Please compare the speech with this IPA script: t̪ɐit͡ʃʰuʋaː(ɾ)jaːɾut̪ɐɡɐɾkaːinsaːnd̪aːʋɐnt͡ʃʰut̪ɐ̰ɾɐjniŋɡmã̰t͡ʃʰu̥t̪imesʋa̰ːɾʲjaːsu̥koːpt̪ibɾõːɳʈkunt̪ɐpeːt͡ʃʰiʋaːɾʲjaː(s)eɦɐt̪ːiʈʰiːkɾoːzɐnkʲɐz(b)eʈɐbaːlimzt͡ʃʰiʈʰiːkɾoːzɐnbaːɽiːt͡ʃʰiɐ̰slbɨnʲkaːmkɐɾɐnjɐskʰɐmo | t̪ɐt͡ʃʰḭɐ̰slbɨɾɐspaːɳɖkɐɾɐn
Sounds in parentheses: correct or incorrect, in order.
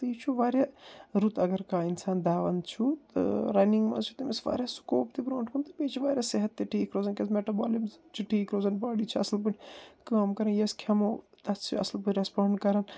correct, correct, incorrect: m

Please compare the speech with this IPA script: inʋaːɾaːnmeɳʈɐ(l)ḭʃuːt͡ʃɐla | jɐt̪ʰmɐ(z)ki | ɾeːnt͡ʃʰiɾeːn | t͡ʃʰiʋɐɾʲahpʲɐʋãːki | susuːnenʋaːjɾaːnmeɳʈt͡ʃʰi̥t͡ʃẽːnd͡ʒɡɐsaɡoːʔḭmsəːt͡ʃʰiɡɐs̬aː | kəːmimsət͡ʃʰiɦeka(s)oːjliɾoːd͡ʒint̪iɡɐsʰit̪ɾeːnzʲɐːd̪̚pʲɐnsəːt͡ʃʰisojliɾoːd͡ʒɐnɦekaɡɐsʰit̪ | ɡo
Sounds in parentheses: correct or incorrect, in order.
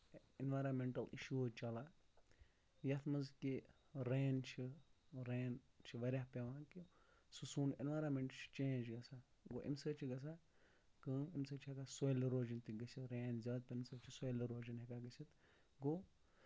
correct, correct, correct

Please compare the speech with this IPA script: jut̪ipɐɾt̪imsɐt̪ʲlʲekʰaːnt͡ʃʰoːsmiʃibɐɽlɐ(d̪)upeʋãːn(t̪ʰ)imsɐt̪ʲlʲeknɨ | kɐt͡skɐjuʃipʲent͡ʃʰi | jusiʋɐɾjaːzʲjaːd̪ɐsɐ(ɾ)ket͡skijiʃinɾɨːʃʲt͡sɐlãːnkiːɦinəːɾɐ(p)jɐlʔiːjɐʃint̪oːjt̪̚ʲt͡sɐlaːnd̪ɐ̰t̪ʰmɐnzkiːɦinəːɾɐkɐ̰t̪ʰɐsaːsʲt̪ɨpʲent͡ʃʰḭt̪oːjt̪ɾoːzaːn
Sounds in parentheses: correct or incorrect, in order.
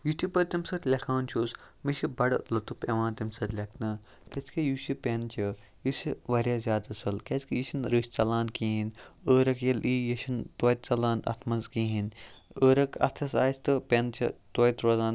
incorrect: t̪, incorrect: t̪, incorrect: l, incorrect: k

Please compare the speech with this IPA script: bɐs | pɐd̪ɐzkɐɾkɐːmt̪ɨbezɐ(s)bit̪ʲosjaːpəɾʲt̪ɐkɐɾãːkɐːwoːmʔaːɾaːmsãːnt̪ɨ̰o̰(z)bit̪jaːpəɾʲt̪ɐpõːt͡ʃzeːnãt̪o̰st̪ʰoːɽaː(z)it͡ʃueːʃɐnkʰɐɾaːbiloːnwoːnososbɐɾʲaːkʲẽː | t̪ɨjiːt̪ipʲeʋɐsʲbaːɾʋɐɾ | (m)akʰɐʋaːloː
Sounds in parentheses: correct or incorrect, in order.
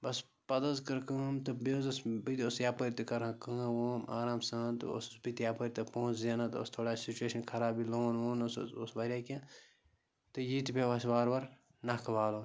correct, incorrect: s, incorrect: s, incorrect: n

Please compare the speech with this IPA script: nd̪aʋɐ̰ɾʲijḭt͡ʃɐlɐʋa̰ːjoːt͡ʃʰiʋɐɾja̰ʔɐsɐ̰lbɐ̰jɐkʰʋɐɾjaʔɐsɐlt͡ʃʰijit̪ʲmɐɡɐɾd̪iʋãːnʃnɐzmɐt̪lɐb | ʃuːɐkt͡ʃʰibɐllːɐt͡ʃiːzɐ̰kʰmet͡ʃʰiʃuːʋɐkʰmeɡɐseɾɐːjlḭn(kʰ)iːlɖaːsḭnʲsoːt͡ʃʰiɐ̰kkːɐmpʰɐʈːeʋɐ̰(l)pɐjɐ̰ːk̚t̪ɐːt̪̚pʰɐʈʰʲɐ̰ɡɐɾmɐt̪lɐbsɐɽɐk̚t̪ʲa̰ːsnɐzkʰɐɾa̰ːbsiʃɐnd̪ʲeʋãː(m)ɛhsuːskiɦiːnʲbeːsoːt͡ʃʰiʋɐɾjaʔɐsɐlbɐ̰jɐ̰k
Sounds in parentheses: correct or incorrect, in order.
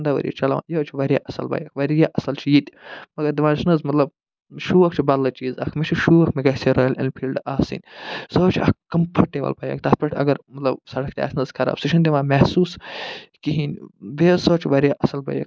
incorrect: pʰ, correct, correct

